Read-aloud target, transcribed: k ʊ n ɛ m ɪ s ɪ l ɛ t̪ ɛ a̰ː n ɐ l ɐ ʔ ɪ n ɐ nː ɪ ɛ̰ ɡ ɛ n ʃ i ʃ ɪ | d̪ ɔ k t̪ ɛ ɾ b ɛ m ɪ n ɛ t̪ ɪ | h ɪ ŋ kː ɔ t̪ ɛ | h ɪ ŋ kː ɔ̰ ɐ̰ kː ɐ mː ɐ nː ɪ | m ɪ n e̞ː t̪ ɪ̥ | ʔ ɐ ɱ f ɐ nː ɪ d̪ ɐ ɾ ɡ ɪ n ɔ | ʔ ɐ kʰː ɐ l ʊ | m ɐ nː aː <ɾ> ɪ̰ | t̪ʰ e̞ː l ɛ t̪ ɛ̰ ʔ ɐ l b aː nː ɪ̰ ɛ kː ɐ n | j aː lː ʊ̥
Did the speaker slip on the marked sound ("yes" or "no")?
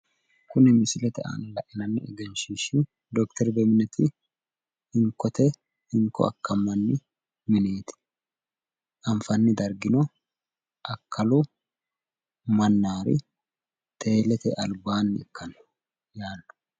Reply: no